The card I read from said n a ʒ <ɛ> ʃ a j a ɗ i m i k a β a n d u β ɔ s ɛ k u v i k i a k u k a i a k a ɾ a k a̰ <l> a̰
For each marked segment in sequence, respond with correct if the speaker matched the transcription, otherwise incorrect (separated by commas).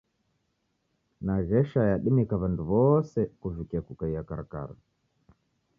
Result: correct, incorrect